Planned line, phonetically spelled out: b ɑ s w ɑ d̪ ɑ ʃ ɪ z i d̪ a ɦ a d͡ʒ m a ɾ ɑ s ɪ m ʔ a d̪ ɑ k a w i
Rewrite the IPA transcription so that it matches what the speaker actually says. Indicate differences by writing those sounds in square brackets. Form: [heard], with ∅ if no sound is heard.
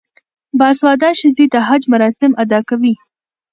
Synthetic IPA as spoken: b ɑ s w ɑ d̪ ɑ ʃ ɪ z i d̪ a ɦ a d͡ʒ m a ɾ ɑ s ɪ m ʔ a d̪ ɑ k a w i